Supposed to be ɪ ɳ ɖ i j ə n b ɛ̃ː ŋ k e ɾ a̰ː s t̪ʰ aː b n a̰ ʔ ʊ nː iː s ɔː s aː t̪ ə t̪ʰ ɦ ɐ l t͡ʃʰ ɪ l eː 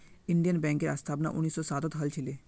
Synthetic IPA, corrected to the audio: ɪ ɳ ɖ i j ə n b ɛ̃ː ŋ k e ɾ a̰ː s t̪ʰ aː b n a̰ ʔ ʊ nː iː s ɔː s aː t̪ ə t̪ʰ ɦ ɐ l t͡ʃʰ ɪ l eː